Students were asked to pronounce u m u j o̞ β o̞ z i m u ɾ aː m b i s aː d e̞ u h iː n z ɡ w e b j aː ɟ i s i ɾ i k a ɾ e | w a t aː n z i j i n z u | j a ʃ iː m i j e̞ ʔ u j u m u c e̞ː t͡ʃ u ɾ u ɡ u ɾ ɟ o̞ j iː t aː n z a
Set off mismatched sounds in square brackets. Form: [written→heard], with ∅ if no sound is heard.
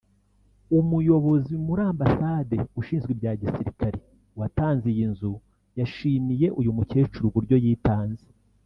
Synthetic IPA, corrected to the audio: u m u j o̞ β o̞ z i m u ɾ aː m b [i→a] s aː d e̞ u [h→ʃ] iː n z ɡ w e b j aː ɟ i s i ɾ i k a ɾ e | w a t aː n z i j i n z u | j a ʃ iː m i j e̞ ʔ u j u m u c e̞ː t͡ʃ u ɾ u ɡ u ɾ ɟ o̞ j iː t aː n z [a→e]